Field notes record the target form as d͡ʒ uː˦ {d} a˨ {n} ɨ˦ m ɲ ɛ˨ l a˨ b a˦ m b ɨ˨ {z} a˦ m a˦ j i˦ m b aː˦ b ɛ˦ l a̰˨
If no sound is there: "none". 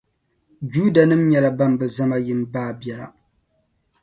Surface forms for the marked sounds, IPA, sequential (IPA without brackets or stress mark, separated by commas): d, n, z